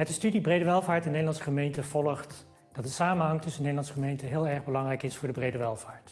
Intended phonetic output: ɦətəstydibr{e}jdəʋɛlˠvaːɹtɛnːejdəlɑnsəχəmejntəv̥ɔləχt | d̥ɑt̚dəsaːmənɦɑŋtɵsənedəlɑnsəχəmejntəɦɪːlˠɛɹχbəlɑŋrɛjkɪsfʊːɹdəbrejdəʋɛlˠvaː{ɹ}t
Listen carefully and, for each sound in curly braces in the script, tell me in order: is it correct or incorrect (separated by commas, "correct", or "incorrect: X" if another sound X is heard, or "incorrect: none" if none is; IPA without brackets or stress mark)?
correct, correct